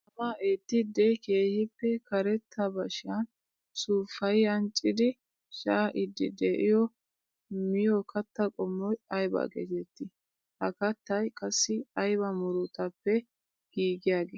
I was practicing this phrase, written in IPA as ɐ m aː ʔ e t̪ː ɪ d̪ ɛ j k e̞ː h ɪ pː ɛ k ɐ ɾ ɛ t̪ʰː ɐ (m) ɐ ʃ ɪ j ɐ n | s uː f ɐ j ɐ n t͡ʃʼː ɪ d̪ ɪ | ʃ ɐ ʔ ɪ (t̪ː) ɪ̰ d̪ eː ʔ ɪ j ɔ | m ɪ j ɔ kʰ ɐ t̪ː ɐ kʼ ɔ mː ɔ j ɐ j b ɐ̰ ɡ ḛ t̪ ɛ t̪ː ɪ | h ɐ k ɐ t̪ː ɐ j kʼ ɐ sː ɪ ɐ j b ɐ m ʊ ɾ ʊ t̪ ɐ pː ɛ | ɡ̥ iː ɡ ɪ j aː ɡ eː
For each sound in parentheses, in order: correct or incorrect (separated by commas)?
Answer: incorrect, incorrect